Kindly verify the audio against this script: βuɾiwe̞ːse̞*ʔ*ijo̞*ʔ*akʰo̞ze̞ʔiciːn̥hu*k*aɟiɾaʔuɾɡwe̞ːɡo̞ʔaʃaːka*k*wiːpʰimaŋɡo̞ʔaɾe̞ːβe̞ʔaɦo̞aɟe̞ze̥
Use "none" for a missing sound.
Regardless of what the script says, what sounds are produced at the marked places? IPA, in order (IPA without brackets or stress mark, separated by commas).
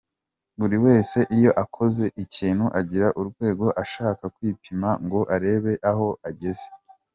ʔ, ʔ, ʔ, k